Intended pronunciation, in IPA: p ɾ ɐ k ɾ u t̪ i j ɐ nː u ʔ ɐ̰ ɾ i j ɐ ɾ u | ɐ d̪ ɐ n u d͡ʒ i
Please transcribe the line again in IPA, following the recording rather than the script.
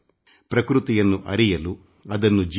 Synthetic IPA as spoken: p ɾ ɐ k ɾ u t̪ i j ɐ nː u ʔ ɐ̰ ɾ i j ɐ l u | ɐ d̪ ɐ nː u d͡ʒ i